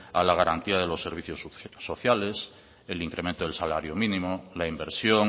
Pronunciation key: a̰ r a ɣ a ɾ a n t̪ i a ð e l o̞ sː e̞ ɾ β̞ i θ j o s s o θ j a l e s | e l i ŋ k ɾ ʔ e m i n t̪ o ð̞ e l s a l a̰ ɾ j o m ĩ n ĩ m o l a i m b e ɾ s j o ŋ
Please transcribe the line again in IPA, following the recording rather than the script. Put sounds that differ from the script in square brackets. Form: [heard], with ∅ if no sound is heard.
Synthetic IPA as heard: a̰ [l] a ɣ a ɾ a n t̪ i a ð e l o̞ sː e̞ ɾ β̞ i θ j o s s o θ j a l e s | e l i ŋ k ɾ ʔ e m [e] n t̪ o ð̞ e l s a l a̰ ɾ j o m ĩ n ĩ m o l a i m b e ɾ s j o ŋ